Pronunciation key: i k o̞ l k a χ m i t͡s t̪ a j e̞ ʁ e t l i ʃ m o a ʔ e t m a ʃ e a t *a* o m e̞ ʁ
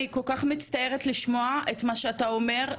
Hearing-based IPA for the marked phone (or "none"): a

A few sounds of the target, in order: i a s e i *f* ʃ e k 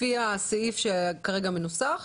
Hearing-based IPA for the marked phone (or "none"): f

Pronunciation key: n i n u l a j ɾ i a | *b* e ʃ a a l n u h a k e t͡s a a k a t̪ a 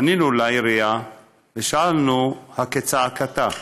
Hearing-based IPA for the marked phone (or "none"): v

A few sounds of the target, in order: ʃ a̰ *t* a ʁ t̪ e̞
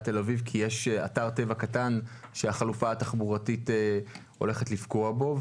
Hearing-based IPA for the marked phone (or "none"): t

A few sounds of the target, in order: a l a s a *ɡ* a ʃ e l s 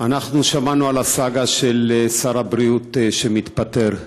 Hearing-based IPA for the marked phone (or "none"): ɡ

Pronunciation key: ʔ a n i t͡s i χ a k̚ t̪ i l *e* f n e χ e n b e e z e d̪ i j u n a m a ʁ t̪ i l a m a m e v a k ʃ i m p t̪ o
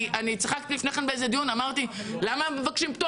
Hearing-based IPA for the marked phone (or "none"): i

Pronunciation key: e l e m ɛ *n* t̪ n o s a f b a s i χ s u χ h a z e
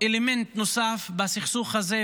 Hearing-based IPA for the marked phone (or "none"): n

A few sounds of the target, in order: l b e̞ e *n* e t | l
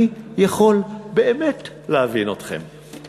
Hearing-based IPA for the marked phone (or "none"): m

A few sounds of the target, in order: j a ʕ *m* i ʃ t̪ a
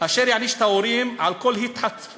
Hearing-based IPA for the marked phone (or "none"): n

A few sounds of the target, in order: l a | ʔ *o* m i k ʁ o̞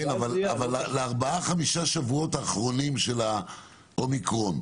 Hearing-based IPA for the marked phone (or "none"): o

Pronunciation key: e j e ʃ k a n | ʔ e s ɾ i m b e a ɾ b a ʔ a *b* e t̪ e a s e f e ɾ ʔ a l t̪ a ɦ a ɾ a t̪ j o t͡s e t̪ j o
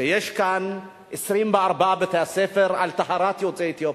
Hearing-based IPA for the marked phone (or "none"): b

